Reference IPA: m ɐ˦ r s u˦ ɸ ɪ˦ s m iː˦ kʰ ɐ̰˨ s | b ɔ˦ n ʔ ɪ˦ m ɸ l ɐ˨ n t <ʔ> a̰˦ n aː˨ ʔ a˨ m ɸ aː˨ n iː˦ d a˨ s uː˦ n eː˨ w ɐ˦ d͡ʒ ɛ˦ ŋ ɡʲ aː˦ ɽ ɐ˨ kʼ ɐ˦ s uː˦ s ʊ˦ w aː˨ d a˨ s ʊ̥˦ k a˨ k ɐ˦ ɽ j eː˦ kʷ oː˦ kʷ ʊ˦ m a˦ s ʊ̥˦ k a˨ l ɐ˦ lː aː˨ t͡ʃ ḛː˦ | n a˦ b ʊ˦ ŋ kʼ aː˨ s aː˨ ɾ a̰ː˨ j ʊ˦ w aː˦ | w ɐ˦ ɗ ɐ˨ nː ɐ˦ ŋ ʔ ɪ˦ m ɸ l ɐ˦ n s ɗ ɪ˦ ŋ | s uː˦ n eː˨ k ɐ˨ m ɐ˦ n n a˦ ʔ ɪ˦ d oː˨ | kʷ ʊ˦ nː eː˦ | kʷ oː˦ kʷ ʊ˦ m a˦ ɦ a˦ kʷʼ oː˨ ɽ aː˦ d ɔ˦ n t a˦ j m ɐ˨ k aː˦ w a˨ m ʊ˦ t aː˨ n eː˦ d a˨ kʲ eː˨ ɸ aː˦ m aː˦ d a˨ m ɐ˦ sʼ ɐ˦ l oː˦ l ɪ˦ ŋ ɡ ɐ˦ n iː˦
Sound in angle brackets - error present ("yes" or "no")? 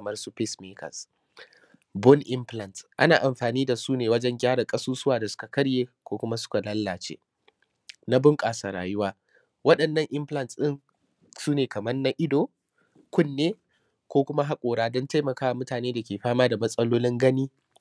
no